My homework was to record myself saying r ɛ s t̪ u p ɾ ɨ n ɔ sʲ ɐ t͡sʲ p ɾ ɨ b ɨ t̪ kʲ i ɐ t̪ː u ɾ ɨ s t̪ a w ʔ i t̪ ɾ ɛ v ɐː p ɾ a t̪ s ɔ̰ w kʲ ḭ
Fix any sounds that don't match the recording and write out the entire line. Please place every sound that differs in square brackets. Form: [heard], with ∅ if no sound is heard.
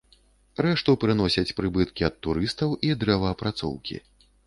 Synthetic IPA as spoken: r ɛ [ʂ] t̪ u p ɾ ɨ n ɔ sʲ ɐ t͡sʲ p ɾ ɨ b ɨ t̪ kʲ i ɐ t̪ː u ɾ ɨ s t̪ [ɐ] w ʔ i [d̪] ɾ ɛ v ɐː p ɾ a t̪ s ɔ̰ w kʲ ḭ